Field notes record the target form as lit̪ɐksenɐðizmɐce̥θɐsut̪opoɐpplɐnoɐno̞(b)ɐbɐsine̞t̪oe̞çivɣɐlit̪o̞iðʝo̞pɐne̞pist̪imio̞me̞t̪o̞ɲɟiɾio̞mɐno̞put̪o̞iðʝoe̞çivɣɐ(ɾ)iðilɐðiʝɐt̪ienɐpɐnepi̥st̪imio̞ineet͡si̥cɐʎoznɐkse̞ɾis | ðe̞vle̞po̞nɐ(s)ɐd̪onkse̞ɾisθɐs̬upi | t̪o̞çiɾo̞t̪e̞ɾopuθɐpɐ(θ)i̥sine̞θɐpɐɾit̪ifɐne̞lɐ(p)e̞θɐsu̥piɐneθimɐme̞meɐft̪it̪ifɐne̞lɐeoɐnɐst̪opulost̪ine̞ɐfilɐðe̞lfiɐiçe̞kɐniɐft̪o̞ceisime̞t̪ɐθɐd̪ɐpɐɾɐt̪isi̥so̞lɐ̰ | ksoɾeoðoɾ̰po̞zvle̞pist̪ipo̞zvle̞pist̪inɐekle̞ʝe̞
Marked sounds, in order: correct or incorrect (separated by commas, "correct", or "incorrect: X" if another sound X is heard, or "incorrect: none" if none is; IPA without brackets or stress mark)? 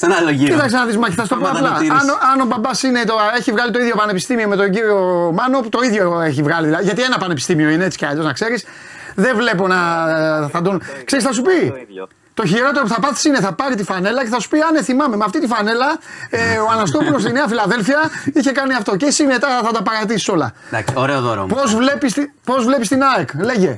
correct, incorrect: l, incorrect: θ, correct, incorrect: c